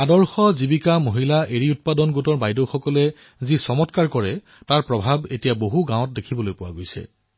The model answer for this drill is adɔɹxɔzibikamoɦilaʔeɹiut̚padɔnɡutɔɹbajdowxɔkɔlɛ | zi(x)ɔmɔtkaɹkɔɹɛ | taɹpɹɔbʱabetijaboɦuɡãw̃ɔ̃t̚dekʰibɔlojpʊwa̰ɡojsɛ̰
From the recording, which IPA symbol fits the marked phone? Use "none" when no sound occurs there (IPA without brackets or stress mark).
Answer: s